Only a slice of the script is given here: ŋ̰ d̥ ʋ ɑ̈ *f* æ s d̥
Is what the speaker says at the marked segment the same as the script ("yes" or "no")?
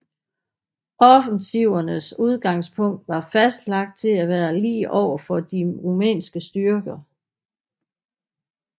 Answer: yes